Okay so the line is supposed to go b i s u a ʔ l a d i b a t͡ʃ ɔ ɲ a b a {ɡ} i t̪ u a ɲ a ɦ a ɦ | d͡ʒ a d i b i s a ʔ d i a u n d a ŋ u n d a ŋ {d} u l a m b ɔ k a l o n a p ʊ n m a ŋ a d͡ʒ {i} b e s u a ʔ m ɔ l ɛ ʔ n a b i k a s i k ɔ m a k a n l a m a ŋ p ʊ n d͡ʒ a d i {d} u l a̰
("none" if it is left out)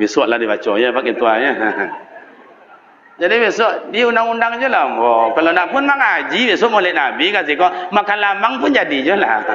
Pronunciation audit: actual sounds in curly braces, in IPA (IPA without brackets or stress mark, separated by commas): k, d͡ʒ, i, d͡ʒ